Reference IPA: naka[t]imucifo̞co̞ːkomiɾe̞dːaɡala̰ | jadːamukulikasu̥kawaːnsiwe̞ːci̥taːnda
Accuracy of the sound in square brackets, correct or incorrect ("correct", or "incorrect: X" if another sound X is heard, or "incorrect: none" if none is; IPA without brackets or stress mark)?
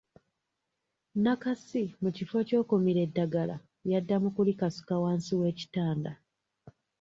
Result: incorrect: s